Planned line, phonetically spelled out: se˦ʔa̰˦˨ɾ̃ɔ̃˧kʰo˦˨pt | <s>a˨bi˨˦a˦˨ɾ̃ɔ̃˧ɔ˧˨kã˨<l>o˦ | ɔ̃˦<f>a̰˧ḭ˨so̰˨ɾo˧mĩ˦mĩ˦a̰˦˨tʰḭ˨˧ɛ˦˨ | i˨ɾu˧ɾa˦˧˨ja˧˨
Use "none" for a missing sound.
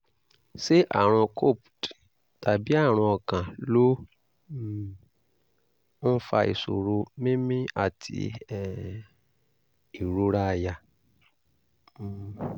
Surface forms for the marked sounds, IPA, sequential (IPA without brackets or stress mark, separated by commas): t, l, f